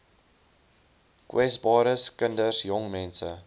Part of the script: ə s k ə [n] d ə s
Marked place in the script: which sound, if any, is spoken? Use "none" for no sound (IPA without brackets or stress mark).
n